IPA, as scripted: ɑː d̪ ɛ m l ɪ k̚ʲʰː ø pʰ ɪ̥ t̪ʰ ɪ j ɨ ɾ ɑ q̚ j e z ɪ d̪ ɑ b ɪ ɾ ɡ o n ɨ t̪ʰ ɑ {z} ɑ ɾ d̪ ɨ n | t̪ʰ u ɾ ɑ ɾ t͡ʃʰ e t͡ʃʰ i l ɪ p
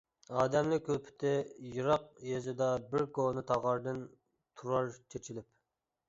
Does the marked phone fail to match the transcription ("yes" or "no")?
yes